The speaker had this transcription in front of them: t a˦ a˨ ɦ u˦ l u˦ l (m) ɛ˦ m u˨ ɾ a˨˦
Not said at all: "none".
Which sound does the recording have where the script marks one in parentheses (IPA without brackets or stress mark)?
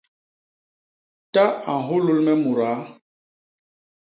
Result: m